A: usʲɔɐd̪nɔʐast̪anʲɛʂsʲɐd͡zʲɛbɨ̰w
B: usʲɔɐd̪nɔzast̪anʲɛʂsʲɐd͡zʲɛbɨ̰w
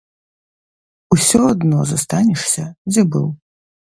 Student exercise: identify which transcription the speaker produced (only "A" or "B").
B